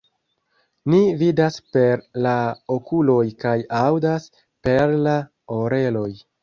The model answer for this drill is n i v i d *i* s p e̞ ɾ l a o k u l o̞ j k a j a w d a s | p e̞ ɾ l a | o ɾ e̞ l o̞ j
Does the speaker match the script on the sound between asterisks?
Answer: no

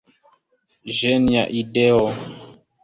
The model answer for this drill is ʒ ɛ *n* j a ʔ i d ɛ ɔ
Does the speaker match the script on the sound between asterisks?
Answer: yes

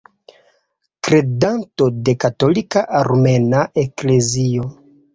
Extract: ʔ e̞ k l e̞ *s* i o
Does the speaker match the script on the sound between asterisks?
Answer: no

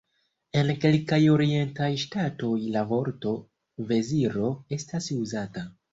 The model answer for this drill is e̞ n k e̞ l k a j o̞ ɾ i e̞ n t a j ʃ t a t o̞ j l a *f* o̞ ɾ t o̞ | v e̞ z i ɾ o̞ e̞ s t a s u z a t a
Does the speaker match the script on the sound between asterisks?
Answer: no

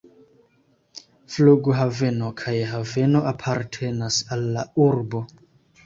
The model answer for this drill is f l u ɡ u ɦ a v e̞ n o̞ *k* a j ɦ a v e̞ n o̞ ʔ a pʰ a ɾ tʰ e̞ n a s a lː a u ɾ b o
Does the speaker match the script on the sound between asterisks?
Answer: no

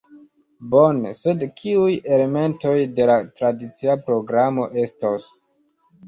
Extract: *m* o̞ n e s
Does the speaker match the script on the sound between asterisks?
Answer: no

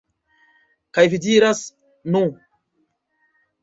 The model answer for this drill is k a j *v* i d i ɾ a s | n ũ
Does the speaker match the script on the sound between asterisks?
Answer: yes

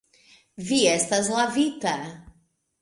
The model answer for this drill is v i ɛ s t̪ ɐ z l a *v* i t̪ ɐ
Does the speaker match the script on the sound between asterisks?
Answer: yes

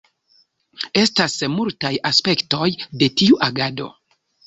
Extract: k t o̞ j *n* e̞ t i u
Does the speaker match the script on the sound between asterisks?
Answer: no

